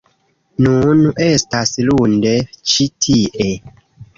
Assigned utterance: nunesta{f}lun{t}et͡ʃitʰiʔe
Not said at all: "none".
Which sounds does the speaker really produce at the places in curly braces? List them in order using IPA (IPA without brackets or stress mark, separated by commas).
s, d